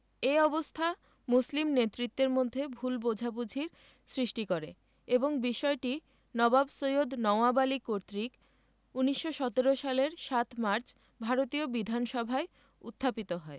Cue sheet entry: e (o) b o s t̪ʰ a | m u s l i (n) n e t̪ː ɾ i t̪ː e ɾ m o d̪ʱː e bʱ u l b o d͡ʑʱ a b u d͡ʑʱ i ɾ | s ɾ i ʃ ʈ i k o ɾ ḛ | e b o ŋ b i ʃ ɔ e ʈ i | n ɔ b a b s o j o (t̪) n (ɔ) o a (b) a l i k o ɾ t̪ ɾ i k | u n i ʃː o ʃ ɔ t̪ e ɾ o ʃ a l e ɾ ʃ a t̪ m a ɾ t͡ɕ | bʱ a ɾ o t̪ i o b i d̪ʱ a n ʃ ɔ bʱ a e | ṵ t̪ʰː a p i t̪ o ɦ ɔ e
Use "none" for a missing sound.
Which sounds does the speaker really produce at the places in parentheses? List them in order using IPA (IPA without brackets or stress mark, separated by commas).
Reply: ɔ, m, d̪, ɔ, b